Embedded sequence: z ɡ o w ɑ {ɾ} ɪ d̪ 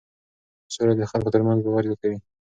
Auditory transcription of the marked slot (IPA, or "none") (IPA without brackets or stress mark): ɾ